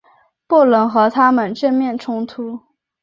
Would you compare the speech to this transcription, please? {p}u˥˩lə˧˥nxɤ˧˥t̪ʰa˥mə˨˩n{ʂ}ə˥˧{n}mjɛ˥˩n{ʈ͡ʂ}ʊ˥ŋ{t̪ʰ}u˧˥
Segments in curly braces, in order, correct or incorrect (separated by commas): correct, incorrect, correct, incorrect, correct